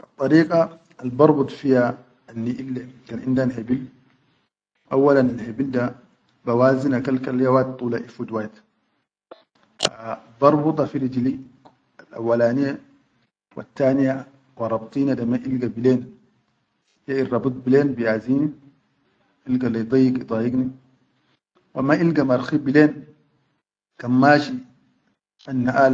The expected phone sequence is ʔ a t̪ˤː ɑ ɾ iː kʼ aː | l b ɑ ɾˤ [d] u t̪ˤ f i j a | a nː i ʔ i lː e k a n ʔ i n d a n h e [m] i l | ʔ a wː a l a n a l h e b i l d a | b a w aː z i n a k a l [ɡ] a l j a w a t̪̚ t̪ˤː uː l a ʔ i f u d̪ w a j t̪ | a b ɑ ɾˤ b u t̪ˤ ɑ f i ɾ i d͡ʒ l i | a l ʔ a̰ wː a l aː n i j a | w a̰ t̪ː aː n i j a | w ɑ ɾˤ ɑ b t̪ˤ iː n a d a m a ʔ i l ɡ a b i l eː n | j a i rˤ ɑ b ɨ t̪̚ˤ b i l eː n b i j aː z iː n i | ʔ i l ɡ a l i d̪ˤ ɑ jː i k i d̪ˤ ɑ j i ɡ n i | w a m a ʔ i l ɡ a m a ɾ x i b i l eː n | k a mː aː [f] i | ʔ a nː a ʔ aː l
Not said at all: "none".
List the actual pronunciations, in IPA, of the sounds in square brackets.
b, b, k, ʃ

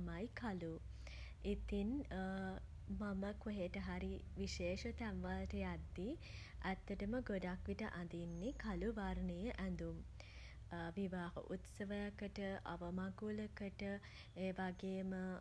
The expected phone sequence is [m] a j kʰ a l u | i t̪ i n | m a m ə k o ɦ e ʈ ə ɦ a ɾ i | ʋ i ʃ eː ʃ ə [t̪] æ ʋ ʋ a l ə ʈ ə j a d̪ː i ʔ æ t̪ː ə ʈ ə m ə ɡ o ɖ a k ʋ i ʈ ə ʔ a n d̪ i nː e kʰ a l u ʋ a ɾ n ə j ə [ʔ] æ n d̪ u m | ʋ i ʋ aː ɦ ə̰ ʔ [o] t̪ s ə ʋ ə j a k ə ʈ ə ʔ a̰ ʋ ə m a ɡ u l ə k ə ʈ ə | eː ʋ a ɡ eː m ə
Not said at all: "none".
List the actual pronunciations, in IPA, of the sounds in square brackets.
m, t̪, ʔ, u

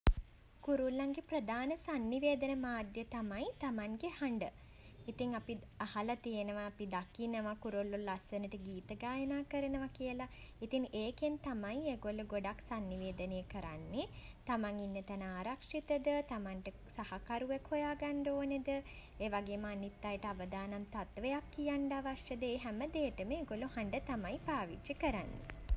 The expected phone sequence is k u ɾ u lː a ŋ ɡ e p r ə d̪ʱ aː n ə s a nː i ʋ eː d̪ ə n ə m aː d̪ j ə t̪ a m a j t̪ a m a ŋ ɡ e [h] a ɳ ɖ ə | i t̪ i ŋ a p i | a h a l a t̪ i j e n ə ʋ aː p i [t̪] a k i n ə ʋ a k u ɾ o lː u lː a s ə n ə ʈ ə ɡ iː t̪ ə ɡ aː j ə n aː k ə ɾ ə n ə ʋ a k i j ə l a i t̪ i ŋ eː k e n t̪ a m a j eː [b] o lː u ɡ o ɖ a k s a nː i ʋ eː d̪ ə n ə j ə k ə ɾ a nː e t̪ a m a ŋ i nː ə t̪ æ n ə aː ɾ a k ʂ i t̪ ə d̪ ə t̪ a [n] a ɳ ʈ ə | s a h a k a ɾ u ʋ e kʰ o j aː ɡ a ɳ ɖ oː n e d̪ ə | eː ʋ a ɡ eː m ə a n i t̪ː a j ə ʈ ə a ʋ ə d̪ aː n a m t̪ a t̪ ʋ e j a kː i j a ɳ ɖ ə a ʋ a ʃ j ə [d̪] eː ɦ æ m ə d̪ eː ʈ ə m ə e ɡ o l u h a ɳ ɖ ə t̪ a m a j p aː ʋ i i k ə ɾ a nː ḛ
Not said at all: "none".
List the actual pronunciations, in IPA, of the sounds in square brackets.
h, d̪, ɡ, m, d̪

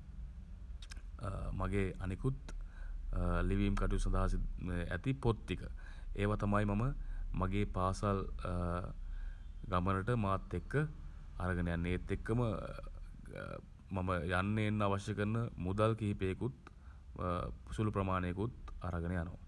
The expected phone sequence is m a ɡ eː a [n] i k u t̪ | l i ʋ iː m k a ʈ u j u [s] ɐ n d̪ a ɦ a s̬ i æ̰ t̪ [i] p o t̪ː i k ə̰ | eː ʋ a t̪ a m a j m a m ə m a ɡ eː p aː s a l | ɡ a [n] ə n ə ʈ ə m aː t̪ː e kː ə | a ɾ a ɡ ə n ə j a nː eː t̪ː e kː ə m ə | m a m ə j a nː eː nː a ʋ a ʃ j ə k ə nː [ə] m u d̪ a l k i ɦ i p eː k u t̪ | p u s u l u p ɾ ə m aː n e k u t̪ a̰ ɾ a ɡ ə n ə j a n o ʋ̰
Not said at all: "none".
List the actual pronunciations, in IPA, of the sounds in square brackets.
n, s, i, m, ə

